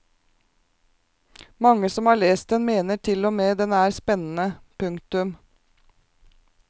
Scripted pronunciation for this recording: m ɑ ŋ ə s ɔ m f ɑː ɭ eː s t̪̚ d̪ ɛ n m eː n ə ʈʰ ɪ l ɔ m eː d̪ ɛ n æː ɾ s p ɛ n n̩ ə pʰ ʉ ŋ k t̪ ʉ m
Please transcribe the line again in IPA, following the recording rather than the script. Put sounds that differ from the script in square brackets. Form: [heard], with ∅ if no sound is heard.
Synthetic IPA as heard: m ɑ ŋ ə s ɔ m [h] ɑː ɭ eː s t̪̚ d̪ ɛ n m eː n ə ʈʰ ɪ l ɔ m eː d̪ ɛ n æː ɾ s p ɛ n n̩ ə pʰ ʉ ŋ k t̪ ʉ m